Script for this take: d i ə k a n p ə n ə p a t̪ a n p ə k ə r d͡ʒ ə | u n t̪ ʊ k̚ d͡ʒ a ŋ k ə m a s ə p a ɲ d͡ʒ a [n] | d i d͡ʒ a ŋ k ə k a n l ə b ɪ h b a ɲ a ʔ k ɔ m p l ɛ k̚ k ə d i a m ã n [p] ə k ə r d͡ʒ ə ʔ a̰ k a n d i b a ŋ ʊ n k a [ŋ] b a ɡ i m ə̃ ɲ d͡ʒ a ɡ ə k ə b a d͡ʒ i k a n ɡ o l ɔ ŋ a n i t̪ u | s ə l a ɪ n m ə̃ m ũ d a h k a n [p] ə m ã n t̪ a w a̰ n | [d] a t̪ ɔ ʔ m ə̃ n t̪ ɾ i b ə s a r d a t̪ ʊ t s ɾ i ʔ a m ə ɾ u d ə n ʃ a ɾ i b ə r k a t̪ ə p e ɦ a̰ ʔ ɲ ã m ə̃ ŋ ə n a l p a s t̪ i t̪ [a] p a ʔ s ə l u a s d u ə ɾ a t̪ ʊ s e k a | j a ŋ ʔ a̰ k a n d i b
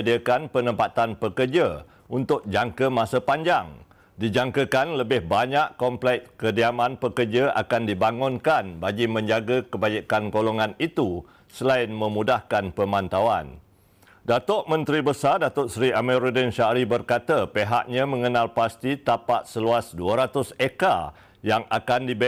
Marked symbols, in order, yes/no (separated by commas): no, yes, no, yes, yes, yes